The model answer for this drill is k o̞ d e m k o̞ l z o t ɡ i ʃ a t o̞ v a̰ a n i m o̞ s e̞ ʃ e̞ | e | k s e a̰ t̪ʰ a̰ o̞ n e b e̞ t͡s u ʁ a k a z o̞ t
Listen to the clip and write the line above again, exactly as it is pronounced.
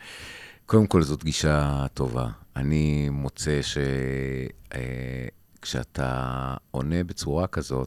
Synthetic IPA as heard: k o̞ d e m k o̞ l z o t ɡ i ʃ a t o̞ v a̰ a n i m o̞ t͡s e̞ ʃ e̞ | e | k ʃ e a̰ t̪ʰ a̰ o̞ n e b e̞ t͡s u ʁ a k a z o̞ t